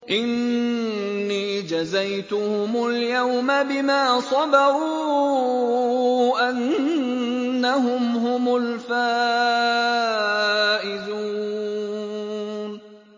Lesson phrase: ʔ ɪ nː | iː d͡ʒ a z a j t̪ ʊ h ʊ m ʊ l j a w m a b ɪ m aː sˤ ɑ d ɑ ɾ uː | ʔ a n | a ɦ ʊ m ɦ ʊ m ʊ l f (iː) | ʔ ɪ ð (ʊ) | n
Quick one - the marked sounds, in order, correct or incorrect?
incorrect: aː, incorrect: u

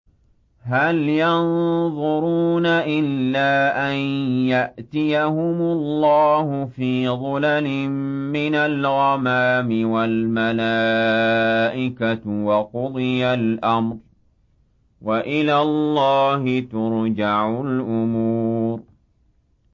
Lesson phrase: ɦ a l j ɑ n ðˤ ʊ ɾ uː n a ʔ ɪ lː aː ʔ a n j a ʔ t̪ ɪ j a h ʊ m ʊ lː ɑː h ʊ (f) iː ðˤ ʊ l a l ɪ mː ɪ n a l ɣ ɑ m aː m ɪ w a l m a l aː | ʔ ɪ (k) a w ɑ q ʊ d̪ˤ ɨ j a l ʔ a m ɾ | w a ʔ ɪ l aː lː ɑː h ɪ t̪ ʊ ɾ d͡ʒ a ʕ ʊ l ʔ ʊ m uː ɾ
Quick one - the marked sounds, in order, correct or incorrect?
correct, correct

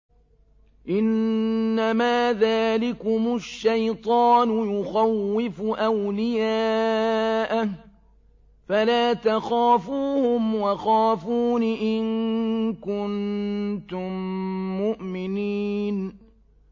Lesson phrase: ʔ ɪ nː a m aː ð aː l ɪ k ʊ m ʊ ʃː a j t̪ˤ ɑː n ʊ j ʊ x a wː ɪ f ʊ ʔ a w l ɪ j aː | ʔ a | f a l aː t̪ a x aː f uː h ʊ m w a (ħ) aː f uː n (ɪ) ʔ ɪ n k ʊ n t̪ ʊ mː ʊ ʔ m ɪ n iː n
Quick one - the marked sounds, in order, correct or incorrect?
incorrect: x, correct

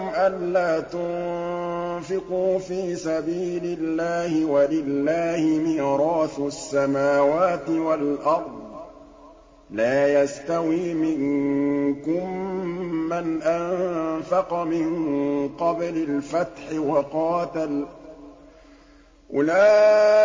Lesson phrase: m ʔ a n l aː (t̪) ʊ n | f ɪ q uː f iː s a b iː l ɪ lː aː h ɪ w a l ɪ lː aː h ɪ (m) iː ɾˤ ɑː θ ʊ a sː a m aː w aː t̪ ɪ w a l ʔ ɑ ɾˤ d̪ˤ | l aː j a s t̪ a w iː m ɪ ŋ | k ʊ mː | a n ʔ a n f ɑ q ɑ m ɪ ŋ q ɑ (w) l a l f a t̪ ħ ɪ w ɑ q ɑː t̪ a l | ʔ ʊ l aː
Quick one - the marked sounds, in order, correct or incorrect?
correct, correct, incorrect: b

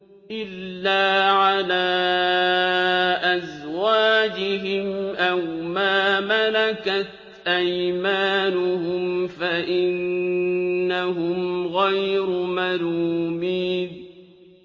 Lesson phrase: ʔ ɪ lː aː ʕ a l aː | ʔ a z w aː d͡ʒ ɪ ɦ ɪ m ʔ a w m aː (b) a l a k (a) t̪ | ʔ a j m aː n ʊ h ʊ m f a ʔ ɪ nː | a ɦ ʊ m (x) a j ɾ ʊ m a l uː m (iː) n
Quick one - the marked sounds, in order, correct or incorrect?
incorrect: m, correct, incorrect: ɣ, correct

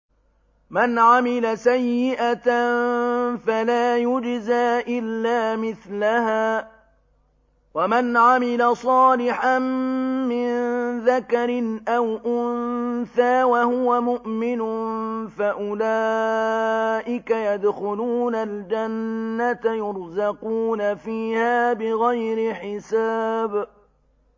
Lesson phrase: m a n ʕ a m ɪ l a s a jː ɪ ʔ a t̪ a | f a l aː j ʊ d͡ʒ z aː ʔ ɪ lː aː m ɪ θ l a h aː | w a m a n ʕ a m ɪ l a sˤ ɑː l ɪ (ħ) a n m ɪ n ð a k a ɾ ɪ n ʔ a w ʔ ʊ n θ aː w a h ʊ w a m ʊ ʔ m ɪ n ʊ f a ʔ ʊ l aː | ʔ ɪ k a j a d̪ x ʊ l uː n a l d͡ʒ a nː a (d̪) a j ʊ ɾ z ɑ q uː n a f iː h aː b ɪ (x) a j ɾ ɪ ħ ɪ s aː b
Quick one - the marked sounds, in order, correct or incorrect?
correct, incorrect: t̪, incorrect: ɣ

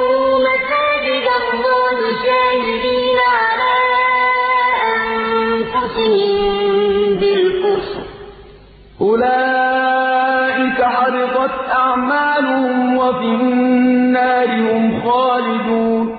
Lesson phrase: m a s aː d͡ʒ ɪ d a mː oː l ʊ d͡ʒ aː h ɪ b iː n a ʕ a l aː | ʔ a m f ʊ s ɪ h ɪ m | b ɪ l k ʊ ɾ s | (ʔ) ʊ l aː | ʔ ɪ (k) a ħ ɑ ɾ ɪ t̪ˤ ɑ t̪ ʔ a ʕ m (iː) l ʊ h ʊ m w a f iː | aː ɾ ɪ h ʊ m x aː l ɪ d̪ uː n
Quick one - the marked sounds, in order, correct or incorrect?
correct, correct, incorrect: aː

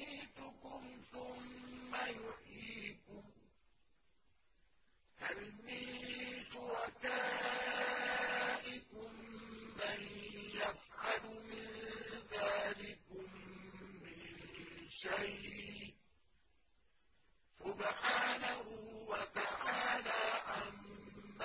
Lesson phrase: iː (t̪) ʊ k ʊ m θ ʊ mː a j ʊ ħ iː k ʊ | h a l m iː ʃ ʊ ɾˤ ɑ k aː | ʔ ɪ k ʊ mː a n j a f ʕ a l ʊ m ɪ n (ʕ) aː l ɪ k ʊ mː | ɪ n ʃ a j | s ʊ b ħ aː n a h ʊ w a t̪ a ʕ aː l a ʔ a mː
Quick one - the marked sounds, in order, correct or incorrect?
correct, incorrect: ð

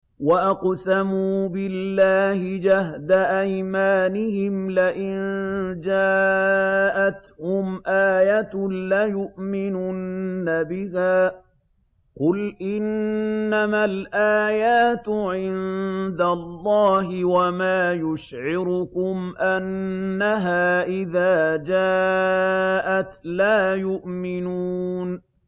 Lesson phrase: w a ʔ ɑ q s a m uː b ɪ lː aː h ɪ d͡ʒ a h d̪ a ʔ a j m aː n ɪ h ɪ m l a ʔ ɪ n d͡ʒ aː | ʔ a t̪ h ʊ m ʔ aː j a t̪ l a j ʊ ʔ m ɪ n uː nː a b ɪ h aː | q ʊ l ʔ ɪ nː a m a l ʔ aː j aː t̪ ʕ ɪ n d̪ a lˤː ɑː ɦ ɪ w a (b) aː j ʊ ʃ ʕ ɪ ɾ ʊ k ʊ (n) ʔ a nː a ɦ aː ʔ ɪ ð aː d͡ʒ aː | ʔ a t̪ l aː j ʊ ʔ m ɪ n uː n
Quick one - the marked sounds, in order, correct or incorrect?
incorrect: m, incorrect: m

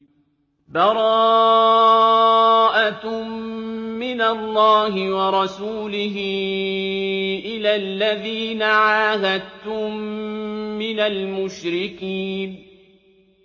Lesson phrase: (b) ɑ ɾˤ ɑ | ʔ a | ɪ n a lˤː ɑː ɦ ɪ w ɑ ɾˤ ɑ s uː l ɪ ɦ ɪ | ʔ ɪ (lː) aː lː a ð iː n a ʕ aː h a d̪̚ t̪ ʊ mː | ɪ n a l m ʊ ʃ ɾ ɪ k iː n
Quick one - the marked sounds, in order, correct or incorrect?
correct, incorrect: l

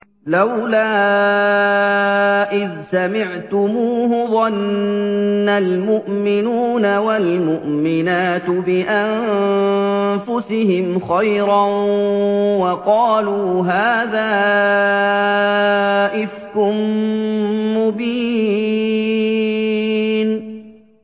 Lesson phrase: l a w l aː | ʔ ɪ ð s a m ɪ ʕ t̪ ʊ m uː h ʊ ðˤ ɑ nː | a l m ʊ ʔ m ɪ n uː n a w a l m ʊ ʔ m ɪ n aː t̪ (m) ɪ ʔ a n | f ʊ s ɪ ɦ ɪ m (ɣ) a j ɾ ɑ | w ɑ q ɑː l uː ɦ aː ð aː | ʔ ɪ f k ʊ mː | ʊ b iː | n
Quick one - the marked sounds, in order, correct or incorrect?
incorrect: b, incorrect: x

